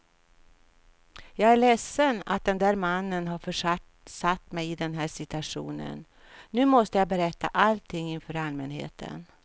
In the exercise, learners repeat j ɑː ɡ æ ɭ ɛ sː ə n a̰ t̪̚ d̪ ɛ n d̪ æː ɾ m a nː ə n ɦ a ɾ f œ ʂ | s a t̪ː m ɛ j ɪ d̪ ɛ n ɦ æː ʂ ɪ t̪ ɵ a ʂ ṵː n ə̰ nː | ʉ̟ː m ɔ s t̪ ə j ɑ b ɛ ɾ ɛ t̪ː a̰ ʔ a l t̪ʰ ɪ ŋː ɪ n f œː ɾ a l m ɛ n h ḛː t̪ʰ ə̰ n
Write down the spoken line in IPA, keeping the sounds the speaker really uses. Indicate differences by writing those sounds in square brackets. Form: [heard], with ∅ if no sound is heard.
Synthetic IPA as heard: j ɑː ɡ æ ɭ ɛ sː ə n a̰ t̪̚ d̪ ɛ n d̪ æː ɾ m a nː ə n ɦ a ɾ f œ ʂ | s a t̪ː m ɛ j ɪ d̪ ɛ n ɦ æː ʂ ɪ t̪ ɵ a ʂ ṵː n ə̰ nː | ʉ̟ː m ɔ s t̪ ə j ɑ b ɛ ɾ ɛ t̪ː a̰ ʔ a l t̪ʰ ɪ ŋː ɪ n f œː ɾ a l m ɛ n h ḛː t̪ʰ ə̰ n